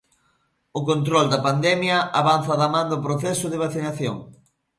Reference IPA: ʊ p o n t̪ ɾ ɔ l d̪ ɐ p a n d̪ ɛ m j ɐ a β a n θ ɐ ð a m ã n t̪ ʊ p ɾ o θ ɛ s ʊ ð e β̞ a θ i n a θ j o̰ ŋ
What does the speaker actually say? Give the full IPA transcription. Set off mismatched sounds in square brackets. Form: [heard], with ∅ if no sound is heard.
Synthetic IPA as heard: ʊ [k] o n t̪ ɾ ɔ l d̪ ɐ p a n d̪ ɛ m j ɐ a β a n θ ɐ ð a m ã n [d̪] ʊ p ɾ o θ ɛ s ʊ ð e β̞ a θ i n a θ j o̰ ŋ